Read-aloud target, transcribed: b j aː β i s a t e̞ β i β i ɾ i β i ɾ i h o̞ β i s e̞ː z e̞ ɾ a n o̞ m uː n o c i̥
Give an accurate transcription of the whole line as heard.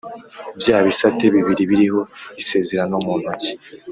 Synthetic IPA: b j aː β i s a t e̞ β i β i ɾ i β i ɾ i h o̞ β i s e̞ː z e̞ ɾ a n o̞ m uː n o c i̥

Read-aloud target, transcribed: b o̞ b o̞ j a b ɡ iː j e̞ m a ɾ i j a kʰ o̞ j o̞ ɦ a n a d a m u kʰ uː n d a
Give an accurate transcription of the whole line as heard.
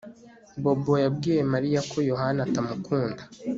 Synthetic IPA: b o̞ b o̞ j a b ɡ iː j e̞ m a ɾ i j a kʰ o̞ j o̞ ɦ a n a t a m u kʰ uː n d a

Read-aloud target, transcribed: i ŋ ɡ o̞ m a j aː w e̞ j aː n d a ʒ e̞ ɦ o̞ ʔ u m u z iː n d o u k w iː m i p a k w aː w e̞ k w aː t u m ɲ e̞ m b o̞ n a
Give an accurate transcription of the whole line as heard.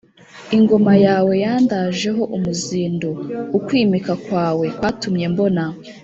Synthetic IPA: i ŋ ɡ o̞ m a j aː w e̞ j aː n d a ʒ e̞ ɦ o̞ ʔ u m u z iː n d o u k w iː m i k a k w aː w e̞ k w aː t u m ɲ e̞ m b o̞ n a

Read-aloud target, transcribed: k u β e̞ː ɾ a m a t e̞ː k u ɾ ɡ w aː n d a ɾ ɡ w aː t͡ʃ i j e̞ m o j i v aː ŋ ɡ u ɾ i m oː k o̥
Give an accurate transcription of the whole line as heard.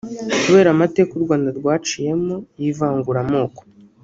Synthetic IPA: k u β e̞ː ɾ a m a t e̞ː k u ɾ ɡ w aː n d a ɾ ɡ w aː t͡ʃ i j e̞ m o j i v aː ŋ ɡ u ɾ a m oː k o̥

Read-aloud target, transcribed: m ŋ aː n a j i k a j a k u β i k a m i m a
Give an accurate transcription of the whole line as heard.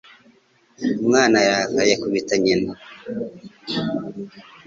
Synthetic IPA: m ŋ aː n a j a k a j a k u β i t a ɲ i n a

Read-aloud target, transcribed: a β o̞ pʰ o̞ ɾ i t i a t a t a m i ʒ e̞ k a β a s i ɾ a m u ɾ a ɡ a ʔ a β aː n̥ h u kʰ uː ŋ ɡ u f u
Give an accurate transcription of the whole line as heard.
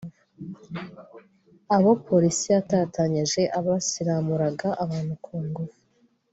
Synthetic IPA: a β o̞ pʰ o̞ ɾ i s i a t a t a ɲ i ʒ e̞ ʔ a β a s i ɾ a m u ɾ a ɡ a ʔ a β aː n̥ h u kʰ uː ŋ ɡ u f u

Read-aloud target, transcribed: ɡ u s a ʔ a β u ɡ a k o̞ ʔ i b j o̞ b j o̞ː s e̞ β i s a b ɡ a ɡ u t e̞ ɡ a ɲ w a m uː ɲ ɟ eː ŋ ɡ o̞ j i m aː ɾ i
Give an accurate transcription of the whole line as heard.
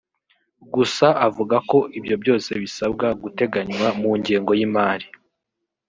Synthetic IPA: ɡ u s a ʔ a v u ɡ a k o̞ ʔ i b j o̞ b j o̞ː s e̞ β i s a b ɡ a ɡ u t e̞ ɡ a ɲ w a m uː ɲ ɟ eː ŋ ɡ o̞ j i m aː ɾ i

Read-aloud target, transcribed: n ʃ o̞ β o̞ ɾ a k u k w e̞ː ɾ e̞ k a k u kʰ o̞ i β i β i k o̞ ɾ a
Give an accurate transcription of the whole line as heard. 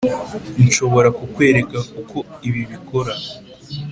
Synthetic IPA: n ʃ o̞ β o̞ ɾ a k u k w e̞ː ɾ e̞ k a k u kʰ o̞ i β i β i k o̞ ɾ a

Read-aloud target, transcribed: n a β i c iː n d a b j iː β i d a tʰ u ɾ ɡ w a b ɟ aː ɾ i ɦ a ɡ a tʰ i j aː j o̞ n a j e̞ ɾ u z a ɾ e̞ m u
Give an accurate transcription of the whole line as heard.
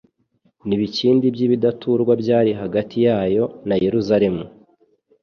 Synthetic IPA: n i β i c iː n d i b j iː β i d a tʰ u ɾ ɡ w a b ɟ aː ɾ i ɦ a ɡ a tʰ i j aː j o̞ n a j e̞ ɾ u z a ɾ e̞ m u

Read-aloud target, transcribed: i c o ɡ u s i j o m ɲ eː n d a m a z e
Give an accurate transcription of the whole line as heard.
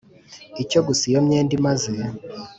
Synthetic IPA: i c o ɡ u s i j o m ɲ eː n d i m a z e

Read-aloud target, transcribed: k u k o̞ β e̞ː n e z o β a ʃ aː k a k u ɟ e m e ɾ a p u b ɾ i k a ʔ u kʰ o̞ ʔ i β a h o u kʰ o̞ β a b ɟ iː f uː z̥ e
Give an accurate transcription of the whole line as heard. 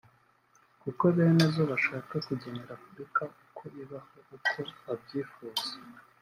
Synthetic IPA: k u k o̞ β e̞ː n e z o β a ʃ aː k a k u ɟ e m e ɾ a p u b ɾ i k a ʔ u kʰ o̞ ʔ i β a h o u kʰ o̞ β a b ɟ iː f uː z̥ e

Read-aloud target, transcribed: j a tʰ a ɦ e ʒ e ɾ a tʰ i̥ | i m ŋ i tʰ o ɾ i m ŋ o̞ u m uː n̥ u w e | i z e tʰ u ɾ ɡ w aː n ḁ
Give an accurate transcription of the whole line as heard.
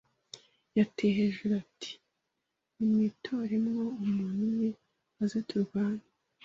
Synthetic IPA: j a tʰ e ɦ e ʒ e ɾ a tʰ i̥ | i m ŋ i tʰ o ɾ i m ŋ o̞ u m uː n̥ u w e | a z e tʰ u ɾ ɡ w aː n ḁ

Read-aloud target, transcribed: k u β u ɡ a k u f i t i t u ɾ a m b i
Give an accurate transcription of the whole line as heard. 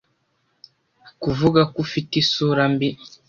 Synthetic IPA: k u v u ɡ a k u f i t i s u ɾ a m b i

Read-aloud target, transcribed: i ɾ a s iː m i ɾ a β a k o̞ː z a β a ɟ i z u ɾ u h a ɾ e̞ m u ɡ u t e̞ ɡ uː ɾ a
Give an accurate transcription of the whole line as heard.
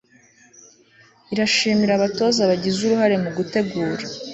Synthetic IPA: i ɾ a ʃ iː m i ɾ a β a t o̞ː z a β a ɟ i z u ɾ u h a ɾ e̞ m u ɡ u t e̞ ɡ uː ɾ a

